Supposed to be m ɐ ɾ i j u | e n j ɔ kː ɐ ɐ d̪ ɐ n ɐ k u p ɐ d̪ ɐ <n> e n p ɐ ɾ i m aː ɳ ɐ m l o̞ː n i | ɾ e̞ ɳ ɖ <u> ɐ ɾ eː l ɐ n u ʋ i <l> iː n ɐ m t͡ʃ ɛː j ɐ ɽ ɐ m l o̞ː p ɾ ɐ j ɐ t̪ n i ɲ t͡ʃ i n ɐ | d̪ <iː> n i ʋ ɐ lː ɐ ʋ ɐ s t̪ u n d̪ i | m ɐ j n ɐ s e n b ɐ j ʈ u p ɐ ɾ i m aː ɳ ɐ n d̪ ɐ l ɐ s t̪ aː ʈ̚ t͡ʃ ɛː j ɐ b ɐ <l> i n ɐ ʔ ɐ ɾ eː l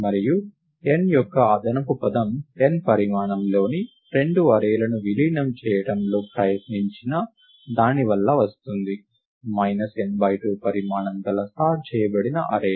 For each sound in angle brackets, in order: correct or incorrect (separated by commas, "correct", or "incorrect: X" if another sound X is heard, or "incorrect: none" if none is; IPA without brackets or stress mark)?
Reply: incorrect: m, correct, correct, incorrect: aː, incorrect: ɽ